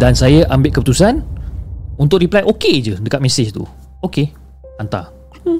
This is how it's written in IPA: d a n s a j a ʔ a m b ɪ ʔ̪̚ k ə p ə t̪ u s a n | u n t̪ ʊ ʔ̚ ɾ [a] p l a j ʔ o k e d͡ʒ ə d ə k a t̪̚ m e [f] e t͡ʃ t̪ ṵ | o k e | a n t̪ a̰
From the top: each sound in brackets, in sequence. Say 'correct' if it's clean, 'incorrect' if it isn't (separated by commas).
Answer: incorrect, incorrect